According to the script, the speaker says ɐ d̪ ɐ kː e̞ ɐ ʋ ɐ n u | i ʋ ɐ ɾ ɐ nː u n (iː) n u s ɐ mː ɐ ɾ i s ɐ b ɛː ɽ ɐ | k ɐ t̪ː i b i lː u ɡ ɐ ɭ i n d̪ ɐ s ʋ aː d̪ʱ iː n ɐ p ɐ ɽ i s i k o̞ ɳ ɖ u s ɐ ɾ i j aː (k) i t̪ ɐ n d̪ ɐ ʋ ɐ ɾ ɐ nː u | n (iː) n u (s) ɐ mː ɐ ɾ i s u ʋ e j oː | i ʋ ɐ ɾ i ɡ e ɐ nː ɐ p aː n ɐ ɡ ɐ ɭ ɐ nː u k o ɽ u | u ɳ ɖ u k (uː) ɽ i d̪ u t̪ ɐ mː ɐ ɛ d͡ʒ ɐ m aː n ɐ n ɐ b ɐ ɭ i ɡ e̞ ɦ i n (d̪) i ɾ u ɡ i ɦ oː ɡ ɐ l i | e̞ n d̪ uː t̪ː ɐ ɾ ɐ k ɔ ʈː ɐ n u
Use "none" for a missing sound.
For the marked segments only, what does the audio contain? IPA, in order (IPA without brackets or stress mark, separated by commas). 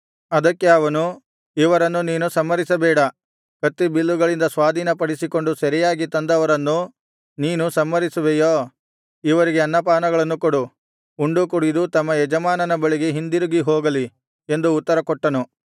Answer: iː, ɡ, iː, s, u, d̪